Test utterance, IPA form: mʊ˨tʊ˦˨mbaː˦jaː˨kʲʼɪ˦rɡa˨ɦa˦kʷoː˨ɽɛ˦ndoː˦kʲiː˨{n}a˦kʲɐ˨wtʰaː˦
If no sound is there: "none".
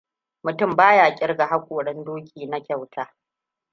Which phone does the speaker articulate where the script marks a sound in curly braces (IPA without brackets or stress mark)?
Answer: n